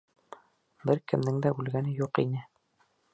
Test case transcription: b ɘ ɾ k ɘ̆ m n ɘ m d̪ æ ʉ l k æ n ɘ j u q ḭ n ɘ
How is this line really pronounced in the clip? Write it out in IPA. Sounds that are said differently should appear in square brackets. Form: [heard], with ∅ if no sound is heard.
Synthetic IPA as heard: b ɘ ɾ k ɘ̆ m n ɘ [ŋ] d̪ æ ʉ l [ɡ] æ n ɘ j u q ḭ n ɘ

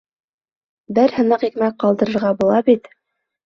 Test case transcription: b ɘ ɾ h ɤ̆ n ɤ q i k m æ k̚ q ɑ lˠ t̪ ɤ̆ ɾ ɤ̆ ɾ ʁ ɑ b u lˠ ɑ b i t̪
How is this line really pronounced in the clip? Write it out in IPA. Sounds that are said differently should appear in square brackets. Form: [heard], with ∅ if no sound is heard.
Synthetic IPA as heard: b ɘ ɾ h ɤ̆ n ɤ q i k m æ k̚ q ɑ lˠ [d̪] ɤ̆ ɾ ɤ̆ ɾ ʁ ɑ b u lˠ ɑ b i t̪

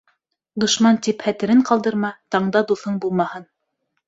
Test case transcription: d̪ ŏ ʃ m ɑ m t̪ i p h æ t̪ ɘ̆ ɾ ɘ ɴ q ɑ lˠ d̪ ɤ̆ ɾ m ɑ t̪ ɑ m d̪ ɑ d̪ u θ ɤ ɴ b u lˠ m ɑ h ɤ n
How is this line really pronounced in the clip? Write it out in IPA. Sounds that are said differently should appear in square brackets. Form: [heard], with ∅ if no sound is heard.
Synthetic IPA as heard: d̪ ŏ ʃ m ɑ [n] t̪ i p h æ t̪ ɘ̆ ɾ ɘ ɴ q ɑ lˠ d̪ ɤ̆ ɾ m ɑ t̪ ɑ [ɴ] d̪ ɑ d̪ u θ ɤ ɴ b u lˠ m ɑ h ɤ n

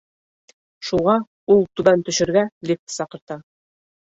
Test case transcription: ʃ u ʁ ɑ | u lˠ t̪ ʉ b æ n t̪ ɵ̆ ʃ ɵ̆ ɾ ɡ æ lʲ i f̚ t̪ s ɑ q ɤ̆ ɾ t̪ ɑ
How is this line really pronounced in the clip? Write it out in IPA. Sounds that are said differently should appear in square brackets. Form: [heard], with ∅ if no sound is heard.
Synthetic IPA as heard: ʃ u ʁ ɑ | u lˠ t̪ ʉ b æ n t̪ ɵ̆ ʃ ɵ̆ ɾ ɡ æ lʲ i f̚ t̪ s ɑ q ɤ̆ ɾ t̪ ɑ

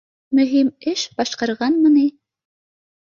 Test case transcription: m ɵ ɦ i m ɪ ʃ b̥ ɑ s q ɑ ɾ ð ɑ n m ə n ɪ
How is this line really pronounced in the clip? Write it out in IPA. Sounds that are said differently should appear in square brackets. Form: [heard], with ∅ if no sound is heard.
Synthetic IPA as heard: m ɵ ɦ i m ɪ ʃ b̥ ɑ [ʃ] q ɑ ɾ [ʁ] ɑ n m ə n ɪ

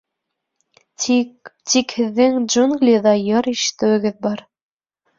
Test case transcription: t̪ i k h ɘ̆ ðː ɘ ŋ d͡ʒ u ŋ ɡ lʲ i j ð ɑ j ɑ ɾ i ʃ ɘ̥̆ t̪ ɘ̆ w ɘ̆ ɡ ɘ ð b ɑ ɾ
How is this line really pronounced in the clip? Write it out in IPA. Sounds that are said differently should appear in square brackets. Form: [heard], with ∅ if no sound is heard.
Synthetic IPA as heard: t̪ i k h ɘ̆ ðː ɘ ŋ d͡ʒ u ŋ ɡ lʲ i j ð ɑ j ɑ ɾ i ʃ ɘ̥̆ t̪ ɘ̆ w ɘ̆ ɡ ɘ ð b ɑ ɾ

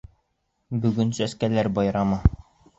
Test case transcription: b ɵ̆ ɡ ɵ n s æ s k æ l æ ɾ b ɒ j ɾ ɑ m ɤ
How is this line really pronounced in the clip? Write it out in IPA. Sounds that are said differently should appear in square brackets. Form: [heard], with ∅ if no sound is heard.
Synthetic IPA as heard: b ɵ̆ ɡ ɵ n s æ s k æ l æ ɾ b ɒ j ɾ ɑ m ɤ

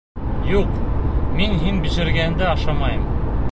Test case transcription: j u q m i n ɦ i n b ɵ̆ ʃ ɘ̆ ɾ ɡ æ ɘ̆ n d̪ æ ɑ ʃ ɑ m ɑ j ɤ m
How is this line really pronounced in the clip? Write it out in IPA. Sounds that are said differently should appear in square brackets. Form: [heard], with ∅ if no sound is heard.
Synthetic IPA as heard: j u q m i n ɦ i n b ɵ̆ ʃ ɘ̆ ɾ ɡ æ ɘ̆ n d̪ æ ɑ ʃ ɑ m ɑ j ɤ m

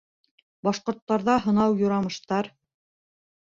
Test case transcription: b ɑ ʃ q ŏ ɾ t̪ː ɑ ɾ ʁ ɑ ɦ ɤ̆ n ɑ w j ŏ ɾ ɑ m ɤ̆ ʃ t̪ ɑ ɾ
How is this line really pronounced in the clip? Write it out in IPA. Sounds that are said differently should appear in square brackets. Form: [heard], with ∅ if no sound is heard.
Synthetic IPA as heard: b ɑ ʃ q ŏ ɾ t̪ː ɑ ɾ [ð] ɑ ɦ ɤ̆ n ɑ w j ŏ ɾ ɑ m ɤ̆ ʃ t̪ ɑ ɾ

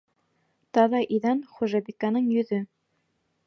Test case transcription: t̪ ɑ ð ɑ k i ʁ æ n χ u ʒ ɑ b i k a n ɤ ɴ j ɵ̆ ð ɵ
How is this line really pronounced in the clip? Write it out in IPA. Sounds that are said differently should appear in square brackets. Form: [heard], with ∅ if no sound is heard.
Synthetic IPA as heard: t̪ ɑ ð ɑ [ʔ] i [ð] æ n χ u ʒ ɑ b i k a n ɤ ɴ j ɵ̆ ð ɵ

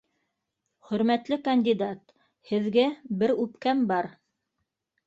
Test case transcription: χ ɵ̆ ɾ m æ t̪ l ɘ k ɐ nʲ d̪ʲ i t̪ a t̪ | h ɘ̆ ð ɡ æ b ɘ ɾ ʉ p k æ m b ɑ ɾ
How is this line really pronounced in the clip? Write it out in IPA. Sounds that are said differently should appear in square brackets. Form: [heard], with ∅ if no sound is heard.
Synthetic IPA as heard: χ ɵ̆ ɾ m æ t̪ l ɘ k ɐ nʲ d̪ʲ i [d̪] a t̪ | h ɘ̆ ð ɡ æ b ɘ ɾ ʉ p k æ m b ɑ ɾ

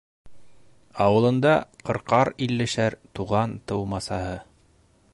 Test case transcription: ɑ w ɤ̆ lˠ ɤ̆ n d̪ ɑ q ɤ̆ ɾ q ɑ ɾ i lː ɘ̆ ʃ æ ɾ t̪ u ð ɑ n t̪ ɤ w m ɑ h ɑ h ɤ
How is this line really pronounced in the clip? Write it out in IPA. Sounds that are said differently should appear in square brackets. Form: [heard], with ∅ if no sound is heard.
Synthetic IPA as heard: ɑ w ɤ̆ lˠ ɤ̆ n d̪ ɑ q ɤ̆ ɾ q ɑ ɾ i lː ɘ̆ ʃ æ ɾ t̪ u [ʁ] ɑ n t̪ ɤ w m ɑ [s] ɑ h ɤ

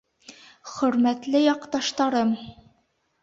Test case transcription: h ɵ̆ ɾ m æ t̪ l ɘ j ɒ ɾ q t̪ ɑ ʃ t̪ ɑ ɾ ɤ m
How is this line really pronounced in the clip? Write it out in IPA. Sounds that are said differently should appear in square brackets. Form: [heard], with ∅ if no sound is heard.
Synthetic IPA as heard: [χ] ɵ̆ ɾ m æ t̪ l ɘ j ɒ [∅] q t̪ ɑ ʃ t̪ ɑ ɾ ɤ m

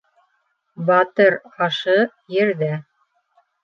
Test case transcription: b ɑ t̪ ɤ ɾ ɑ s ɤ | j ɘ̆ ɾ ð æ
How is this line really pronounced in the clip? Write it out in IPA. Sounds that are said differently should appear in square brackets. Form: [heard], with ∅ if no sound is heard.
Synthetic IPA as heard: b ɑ t̪ ɤ ɾ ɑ [ʃ] ɤ | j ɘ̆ ɾ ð æ

